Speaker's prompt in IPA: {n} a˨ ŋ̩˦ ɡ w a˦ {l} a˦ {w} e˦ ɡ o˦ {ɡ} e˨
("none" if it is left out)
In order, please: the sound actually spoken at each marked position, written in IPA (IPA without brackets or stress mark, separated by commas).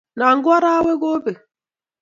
n, ɾ, w, b